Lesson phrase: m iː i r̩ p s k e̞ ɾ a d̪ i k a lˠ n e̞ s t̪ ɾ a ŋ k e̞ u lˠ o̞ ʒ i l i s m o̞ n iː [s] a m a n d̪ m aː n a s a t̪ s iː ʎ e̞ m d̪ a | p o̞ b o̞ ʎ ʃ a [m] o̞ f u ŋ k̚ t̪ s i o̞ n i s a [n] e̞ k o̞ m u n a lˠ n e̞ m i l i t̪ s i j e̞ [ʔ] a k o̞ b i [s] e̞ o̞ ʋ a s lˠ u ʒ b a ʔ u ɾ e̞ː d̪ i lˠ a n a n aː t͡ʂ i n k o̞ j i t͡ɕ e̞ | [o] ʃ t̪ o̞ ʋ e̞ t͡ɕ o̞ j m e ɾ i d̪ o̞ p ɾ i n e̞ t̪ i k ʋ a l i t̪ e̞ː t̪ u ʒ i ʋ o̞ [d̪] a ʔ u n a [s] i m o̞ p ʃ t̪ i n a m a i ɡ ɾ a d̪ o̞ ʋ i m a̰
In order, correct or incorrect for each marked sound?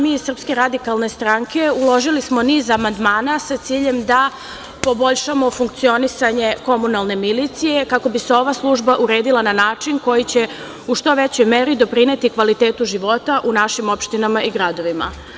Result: incorrect: z, correct, incorrect: ɲ, incorrect: k, correct, incorrect: u, incorrect: t̪, incorrect: ʃ

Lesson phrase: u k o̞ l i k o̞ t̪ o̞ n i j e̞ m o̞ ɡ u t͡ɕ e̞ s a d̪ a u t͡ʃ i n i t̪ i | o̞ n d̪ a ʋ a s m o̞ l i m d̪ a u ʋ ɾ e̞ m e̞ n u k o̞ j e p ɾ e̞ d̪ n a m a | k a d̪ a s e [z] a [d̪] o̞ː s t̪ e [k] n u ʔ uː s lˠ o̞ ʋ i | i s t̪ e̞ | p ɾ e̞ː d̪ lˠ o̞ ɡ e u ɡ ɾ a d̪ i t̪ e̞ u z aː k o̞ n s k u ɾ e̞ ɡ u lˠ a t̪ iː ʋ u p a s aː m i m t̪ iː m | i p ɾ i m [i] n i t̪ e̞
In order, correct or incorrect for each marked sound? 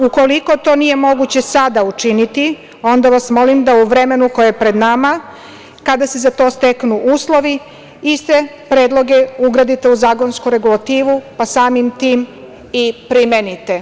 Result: correct, incorrect: t̪, correct, incorrect: e

